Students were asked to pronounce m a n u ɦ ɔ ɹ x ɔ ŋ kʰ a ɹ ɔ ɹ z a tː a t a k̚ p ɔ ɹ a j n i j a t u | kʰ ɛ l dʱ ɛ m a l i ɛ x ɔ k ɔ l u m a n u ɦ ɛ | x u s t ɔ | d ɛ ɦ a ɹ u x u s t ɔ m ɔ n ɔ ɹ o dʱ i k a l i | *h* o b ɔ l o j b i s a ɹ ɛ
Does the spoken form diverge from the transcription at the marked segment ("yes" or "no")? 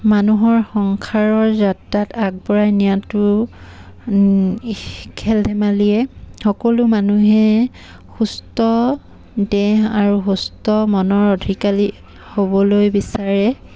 no